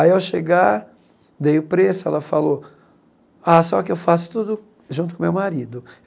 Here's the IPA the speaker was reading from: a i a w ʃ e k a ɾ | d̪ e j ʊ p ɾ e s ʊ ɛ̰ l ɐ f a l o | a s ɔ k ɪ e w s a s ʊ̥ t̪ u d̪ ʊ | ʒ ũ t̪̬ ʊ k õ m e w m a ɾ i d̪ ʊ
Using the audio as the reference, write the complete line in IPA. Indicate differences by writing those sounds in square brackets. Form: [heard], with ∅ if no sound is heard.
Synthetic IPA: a i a w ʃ e [ɡ] a ɾ | d̪ e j ʊ p ɾ e s ʊ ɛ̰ l ɐ f a l o | a s ɔ k ɪ e w [f] a s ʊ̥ t̪ u d̪ ʊ | ʒ ũ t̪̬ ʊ k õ m e w m a ɾ i d̪ ʊ